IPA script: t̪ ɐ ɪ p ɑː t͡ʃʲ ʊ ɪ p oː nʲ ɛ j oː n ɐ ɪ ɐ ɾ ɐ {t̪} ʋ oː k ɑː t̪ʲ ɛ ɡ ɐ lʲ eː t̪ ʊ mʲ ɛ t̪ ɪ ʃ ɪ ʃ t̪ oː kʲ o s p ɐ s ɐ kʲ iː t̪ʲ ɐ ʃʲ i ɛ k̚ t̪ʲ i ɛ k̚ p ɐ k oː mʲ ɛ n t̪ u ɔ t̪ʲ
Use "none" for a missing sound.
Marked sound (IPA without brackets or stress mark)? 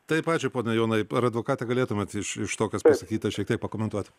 d̪